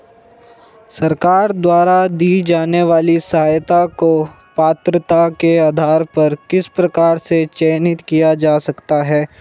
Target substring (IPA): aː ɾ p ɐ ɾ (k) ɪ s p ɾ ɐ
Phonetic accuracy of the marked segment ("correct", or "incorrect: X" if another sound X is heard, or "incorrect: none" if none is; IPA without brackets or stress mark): correct